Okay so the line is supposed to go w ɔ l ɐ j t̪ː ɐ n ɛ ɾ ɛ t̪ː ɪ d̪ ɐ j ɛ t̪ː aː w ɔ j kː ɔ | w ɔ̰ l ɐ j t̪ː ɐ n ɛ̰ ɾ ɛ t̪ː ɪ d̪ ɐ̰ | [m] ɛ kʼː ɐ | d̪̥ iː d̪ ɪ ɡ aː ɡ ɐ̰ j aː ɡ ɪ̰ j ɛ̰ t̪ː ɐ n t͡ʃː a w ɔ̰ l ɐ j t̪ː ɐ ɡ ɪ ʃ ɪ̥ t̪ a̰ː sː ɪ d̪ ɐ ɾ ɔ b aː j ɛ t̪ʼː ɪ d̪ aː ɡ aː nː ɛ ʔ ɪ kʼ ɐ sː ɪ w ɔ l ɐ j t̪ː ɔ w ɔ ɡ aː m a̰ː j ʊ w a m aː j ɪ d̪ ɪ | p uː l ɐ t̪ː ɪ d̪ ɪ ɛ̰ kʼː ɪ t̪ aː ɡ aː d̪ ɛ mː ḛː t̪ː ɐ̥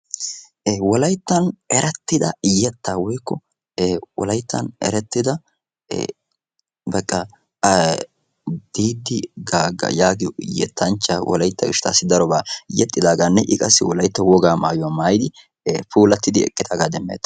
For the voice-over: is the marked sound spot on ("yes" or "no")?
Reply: no